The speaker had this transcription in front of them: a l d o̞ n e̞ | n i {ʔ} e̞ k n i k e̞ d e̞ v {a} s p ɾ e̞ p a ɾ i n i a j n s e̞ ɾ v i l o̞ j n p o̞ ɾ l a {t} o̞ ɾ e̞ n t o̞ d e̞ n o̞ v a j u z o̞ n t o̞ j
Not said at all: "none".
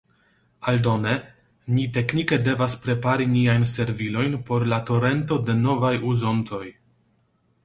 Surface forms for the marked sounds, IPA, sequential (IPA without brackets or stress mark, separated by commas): t, a, t